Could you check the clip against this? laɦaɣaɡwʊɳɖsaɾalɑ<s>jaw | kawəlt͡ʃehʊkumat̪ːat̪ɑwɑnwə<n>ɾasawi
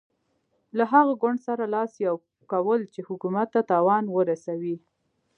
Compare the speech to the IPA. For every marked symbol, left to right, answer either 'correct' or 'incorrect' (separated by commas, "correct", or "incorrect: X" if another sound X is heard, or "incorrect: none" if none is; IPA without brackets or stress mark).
correct, incorrect: none